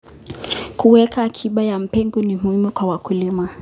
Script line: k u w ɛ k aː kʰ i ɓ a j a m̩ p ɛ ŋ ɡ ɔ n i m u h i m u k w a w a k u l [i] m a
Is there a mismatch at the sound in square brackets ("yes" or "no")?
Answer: no